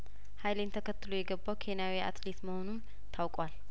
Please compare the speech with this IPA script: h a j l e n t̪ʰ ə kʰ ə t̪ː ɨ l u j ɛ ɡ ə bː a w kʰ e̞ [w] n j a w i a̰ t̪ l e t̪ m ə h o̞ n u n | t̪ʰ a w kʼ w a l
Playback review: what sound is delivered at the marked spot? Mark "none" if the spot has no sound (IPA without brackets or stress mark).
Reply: none